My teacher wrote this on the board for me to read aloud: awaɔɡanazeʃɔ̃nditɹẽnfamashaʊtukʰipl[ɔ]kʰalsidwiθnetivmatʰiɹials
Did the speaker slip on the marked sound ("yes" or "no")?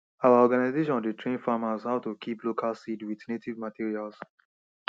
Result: yes